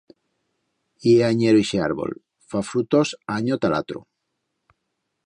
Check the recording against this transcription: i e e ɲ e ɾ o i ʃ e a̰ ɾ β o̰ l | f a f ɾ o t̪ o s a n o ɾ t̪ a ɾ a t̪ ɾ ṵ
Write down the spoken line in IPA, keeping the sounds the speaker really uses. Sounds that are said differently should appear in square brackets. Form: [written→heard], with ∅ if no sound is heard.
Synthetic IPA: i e [e→a] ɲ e ɾ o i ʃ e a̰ ɾ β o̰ l | f a f ɾ [o→u] t̪ o s a [n→ɲ] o [ɾ→∅] t̪ a [ɾ→l] a t̪ ɾ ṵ